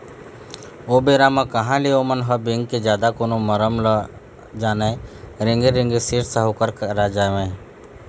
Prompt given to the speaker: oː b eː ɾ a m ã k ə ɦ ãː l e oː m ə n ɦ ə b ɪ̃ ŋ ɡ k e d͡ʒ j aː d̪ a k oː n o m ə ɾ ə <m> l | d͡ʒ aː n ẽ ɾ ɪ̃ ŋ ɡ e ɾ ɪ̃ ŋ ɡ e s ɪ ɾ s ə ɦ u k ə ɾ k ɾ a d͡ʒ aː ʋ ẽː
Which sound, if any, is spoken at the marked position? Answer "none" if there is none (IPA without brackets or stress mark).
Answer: m